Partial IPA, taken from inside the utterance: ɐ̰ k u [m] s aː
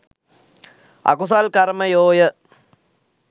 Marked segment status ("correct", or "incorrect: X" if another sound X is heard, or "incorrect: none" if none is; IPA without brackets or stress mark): incorrect: none